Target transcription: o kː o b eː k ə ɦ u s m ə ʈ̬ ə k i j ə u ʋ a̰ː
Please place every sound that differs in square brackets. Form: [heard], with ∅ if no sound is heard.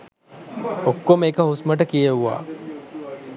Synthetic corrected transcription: o kː o [m] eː k ə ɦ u s m ə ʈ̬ ə k i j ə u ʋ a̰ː